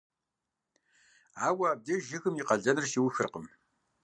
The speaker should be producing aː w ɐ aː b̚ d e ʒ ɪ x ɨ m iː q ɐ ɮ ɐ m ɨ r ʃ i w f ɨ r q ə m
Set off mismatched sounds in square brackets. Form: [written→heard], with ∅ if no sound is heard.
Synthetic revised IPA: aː w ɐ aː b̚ d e ʒ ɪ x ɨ m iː q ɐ ɮ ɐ [m→n] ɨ r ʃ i w [f→x] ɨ r q ə m